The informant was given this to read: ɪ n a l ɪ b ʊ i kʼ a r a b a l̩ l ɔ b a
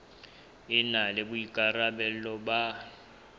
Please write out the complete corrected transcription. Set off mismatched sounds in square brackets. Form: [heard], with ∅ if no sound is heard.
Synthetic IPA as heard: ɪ n a l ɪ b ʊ i kʼ a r a b [ɛ] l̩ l ɔ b a